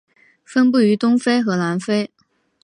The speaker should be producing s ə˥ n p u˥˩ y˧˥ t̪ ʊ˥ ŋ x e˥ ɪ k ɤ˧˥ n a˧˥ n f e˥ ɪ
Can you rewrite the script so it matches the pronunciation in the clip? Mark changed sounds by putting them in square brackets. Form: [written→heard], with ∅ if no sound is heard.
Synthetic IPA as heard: [s→f] ə˥ n p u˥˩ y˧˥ t̪ ʊ˥ ŋ [x→f] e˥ ɪ [k→x] ɤ˧˥ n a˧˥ n f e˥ ɪ